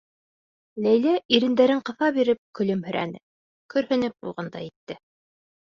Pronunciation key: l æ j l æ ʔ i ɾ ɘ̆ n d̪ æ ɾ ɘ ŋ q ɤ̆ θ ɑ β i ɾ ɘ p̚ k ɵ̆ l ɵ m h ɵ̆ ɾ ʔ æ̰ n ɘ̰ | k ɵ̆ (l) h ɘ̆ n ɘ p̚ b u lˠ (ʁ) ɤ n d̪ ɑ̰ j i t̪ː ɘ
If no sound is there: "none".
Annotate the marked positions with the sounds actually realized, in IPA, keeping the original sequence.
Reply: ɾ, ʁ

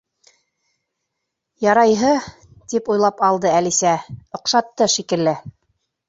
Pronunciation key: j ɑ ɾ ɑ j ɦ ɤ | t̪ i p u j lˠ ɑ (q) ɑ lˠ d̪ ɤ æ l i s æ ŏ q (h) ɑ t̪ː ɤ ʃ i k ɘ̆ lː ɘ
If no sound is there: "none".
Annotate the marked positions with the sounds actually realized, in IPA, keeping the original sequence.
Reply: p, ʃ

